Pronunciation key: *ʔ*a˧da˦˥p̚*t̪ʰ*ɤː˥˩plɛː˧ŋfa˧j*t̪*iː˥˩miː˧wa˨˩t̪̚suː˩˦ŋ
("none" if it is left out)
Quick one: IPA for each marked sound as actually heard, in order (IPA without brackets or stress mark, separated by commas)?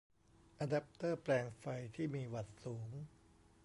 ʔ, t̪, t̪ʰ